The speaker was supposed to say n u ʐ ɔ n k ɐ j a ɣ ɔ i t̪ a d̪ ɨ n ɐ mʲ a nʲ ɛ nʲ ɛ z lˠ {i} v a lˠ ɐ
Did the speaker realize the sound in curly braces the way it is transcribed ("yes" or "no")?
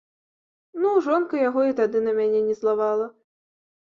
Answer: no